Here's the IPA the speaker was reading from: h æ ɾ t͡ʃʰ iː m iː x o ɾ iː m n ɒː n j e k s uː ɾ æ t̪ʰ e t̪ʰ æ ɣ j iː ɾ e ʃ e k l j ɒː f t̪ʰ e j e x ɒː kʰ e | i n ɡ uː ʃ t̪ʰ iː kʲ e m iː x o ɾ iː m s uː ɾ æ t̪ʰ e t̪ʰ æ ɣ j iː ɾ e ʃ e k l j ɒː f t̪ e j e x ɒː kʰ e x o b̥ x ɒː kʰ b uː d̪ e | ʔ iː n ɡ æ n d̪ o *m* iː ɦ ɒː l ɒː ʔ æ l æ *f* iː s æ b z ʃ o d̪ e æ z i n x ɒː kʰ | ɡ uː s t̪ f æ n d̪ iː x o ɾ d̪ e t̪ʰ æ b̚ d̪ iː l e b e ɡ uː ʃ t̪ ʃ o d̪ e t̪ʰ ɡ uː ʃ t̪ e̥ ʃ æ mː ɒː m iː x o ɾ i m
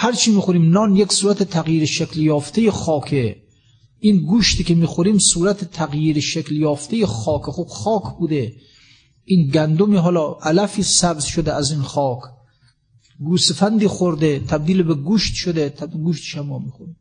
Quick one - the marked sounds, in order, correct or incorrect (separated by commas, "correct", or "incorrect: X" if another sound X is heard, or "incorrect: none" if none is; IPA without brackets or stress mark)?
correct, correct